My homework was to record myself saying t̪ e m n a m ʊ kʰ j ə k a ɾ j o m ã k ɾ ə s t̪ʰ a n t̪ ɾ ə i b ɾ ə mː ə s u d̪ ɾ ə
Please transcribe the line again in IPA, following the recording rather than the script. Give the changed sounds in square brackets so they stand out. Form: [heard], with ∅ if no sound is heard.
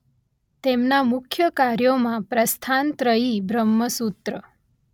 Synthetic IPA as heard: t̪ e m n a m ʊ kʰ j ə k a ɾ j o m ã [p] ɾ ə s t̪ʰ a n t̪ ɾ ə i b ɾ ə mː ə s u [t̪] ɾ ə